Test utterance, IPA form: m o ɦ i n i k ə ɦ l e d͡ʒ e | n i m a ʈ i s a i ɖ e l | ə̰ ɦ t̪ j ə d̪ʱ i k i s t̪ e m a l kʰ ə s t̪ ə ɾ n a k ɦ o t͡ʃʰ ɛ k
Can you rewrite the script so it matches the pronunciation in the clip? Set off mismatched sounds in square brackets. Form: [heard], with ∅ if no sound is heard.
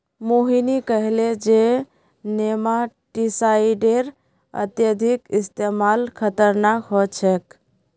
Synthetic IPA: m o ɦ i n i k ə ɦ l e d͡ʒ e | n [e] m a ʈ i s a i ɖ e [ɾ] | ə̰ [∅] t̪ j ə d̪ʱ i k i s t̪ e m a l kʰ ə [∅] t̪ ə ɾ n a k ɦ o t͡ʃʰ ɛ k